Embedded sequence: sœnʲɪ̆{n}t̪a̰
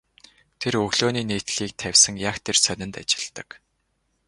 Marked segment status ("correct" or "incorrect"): correct